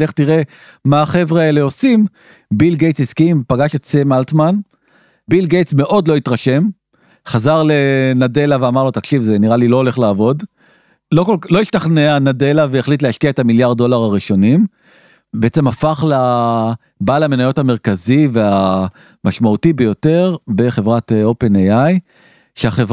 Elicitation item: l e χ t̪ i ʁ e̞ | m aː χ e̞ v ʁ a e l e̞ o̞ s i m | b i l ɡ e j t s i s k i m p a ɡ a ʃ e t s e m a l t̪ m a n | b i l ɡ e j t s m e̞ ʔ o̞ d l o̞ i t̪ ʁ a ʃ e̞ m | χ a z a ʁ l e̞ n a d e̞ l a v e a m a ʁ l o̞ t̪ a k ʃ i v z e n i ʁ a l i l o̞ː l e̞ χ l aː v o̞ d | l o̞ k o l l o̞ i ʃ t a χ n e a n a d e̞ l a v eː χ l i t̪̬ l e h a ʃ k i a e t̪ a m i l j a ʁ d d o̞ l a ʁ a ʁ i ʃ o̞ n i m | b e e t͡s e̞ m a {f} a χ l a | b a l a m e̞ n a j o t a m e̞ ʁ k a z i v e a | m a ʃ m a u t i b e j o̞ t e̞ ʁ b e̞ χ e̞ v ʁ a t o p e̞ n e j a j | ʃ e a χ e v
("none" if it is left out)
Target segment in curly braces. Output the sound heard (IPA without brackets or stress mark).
f